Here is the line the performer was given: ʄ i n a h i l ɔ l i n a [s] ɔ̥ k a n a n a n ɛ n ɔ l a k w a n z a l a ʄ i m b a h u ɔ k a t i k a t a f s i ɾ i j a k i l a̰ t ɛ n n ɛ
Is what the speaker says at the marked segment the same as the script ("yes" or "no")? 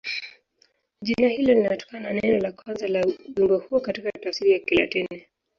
no